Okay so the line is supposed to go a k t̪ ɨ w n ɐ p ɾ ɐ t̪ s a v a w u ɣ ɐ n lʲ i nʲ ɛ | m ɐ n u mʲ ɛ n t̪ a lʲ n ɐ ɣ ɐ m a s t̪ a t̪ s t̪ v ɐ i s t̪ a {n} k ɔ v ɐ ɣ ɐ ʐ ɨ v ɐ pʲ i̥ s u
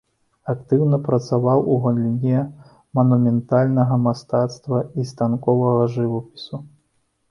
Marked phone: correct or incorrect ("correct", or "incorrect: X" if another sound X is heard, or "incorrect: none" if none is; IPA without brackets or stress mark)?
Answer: correct